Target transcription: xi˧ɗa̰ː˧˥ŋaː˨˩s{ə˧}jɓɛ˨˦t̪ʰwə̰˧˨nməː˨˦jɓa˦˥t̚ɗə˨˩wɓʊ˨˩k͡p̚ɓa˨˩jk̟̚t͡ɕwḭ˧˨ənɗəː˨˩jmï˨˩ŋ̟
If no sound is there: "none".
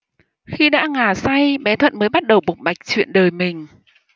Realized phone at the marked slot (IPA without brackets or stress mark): a˧